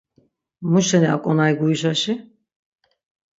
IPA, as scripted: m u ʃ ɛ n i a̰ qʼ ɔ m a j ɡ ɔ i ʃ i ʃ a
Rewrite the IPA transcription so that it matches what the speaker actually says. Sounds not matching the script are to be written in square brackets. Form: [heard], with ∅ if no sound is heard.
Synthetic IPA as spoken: m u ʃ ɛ n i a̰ [kʼ] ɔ [n] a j ɡ [u] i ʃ [a] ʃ [i]